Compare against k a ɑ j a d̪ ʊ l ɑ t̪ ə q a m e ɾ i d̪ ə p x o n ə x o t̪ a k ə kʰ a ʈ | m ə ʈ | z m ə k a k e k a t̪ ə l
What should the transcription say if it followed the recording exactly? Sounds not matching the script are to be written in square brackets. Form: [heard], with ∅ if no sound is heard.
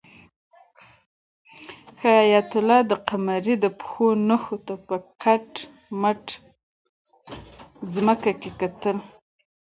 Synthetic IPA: [x] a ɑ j a [t̪] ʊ l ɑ [d̪] ə q a m [a] ɾ i d̪ ə p x o n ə x o t̪ a [p] ə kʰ a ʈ | m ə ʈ | z m ə k a k e k a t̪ ə l